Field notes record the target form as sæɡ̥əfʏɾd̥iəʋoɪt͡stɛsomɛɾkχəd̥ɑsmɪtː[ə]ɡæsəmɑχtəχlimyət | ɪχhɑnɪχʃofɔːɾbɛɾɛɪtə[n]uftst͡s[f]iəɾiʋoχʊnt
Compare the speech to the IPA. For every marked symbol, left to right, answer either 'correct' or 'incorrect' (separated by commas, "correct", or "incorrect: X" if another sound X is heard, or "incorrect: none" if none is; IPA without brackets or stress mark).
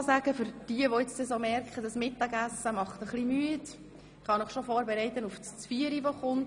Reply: incorrect: ɑ, correct, correct